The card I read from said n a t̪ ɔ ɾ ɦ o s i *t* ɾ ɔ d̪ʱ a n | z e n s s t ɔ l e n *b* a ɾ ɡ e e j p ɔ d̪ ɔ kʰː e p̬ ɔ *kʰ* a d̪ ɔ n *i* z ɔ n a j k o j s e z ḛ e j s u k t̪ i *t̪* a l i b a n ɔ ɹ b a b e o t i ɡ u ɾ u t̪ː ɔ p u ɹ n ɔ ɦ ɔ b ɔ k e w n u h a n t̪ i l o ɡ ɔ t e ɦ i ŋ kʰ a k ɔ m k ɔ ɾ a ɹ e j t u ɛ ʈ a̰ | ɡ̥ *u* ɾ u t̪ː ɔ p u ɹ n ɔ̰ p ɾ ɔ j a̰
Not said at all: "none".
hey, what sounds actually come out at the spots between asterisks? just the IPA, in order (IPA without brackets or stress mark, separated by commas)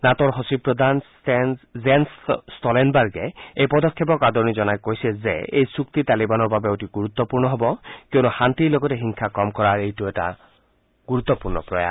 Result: p, b, k, i, t̪, u